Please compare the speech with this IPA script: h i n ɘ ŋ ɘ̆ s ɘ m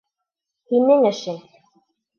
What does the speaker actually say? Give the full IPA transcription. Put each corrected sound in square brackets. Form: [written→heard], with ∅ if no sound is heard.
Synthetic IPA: h i n ɘ ŋ ɘ̆ [s→ʃ] ɘ [m→n]